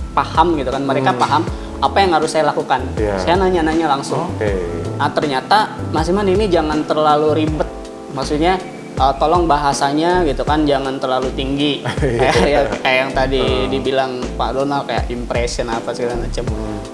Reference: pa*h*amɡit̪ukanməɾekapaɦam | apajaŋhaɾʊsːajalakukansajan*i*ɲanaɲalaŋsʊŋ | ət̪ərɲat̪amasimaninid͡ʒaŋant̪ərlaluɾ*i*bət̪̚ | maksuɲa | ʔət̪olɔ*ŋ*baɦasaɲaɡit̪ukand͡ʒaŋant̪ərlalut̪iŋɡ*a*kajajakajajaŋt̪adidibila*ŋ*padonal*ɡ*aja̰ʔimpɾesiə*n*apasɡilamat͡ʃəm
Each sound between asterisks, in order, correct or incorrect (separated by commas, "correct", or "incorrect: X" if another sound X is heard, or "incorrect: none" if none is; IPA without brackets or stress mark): correct, incorrect: a, correct, correct, incorrect: i, correct, incorrect: k, correct